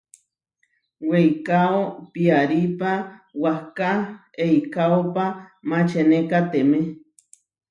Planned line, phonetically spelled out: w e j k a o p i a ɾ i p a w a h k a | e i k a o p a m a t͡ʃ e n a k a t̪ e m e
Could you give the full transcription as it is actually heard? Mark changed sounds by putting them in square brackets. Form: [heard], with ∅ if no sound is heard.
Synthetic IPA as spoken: w e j k a o p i a ɾ i p a w a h k a | e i k a o p a m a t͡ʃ e n [e] k a t̪ e m e